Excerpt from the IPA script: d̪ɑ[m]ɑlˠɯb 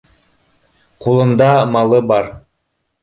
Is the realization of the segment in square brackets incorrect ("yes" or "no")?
no